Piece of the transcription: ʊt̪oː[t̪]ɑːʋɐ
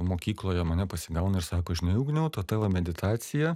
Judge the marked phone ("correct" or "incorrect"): correct